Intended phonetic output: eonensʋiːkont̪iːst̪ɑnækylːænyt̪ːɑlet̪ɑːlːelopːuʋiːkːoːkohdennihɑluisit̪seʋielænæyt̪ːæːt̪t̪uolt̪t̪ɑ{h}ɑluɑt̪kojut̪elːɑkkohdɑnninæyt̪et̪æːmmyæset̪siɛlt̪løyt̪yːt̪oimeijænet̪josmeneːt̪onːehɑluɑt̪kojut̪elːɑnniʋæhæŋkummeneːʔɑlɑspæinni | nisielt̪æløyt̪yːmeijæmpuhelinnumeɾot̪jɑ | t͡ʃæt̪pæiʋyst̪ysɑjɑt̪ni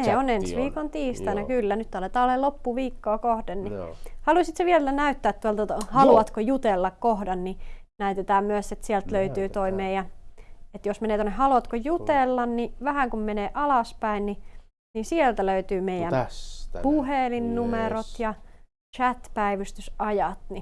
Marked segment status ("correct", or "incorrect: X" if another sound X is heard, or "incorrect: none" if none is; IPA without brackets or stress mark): correct